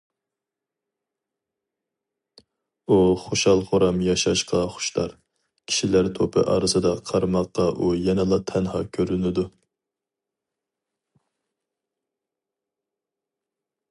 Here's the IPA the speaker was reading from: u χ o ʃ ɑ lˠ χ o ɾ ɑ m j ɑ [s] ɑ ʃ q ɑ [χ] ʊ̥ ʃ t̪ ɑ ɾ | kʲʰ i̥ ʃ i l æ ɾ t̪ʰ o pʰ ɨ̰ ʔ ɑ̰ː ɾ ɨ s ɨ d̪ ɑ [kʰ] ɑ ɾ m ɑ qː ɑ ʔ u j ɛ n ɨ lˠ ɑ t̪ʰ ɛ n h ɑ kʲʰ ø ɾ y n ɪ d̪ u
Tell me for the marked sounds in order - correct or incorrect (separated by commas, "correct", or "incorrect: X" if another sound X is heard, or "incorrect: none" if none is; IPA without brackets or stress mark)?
incorrect: ʃ, correct, incorrect: qʰ